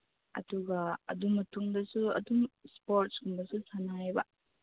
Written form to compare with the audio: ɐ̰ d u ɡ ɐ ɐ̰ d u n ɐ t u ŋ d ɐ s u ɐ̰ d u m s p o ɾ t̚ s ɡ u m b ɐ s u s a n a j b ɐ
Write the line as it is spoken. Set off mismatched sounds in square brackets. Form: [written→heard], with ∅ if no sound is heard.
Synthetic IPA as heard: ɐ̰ d u ɡ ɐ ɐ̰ d u [n→m] ɐ t u ŋ d ɐ s u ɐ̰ d u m s p o ɾ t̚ s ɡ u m b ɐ s u s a n a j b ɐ